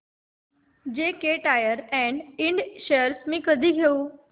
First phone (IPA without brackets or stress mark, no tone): d͡ʑ